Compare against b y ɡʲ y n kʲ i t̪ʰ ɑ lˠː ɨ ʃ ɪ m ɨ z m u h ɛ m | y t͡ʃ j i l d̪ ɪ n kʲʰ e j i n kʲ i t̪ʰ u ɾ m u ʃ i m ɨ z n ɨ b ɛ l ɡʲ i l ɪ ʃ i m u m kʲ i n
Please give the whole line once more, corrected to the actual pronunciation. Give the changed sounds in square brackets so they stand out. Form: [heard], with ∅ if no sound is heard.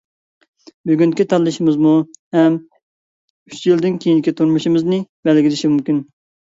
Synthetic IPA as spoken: b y ɡʲ y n kʲ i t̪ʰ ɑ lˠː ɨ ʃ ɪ m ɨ z m u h ɛ m | y t͡ʃ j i l d̪ ɪ n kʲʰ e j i n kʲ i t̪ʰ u ɾ m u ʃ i m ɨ z n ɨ b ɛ l ɡʲ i l ɪ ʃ i m u m kʲ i n